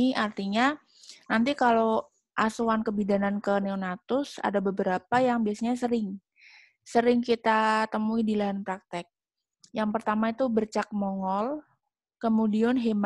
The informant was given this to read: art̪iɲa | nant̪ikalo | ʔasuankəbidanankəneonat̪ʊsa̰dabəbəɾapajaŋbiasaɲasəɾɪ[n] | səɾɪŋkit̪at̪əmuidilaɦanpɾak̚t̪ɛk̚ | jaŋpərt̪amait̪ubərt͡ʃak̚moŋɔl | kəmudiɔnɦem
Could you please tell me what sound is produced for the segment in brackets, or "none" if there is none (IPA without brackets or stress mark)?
ŋ